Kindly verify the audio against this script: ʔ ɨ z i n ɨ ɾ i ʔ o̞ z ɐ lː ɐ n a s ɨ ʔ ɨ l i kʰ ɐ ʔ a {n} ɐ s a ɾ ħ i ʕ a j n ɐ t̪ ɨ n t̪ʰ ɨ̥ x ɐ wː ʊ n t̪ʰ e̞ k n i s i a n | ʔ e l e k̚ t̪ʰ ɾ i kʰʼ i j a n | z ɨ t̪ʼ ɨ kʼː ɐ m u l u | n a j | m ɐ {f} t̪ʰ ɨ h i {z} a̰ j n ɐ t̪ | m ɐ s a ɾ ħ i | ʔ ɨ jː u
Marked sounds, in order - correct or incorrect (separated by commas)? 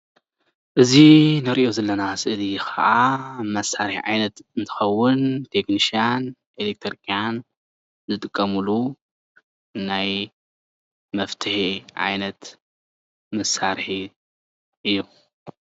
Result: incorrect, correct, incorrect